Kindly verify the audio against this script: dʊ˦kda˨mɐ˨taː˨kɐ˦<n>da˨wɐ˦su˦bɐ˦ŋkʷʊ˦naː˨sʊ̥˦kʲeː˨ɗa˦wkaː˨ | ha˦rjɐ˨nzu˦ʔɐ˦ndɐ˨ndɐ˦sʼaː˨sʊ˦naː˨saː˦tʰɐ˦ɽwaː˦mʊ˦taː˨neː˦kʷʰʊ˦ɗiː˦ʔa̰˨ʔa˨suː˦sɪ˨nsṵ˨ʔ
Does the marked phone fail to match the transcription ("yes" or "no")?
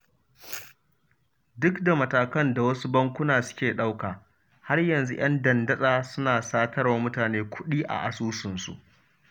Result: no